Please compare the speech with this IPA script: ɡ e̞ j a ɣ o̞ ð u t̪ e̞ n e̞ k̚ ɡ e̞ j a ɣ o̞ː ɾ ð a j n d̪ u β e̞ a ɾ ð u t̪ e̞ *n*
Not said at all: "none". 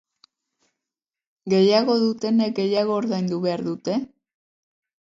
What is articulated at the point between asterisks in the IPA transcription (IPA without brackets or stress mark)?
none